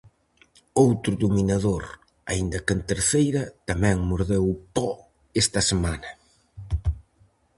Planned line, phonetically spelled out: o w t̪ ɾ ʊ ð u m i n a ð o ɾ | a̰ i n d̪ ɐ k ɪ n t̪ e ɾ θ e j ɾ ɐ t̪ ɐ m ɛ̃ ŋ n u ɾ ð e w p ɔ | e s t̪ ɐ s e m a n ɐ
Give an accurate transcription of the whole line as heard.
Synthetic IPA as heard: o w t̪ ɾ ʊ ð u m i n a ð o ɾ | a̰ i n d̪ ɐ k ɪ n t̪ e ɾ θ e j ɾ ɐ t̪ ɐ m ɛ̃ ŋ m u ɾ ð e w p ɔ | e s t̪ ɐ s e m a n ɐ